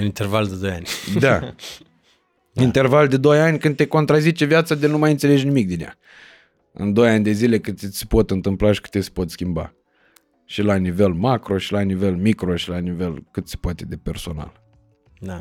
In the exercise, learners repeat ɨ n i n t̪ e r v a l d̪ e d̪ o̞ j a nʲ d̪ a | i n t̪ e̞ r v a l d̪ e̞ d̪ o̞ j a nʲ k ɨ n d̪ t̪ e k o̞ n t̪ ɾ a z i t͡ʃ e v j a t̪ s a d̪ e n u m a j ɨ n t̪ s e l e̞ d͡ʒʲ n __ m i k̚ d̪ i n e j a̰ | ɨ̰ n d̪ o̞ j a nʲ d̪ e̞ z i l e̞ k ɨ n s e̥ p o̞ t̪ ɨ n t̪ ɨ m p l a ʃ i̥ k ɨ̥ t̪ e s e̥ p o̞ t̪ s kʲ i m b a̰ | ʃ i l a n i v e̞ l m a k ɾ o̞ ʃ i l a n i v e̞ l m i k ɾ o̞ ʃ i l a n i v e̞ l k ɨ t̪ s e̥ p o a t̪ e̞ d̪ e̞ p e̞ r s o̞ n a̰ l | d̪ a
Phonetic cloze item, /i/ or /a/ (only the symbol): i